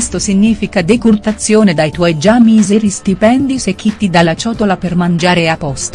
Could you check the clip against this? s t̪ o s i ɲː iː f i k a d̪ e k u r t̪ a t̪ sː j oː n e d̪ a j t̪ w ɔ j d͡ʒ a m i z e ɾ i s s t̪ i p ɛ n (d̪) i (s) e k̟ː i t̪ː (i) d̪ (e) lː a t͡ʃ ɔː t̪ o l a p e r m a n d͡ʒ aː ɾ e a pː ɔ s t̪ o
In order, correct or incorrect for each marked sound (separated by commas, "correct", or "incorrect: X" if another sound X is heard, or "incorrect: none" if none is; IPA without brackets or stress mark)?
correct, correct, correct, incorrect: a